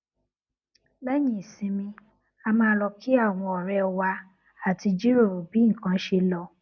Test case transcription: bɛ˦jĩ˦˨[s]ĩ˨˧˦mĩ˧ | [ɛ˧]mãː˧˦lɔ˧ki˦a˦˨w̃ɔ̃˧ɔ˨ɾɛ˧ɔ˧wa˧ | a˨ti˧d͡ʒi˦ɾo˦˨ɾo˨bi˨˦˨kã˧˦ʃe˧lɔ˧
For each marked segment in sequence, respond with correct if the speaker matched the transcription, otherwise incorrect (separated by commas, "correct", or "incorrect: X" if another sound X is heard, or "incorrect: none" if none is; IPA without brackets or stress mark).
correct, incorrect: a˧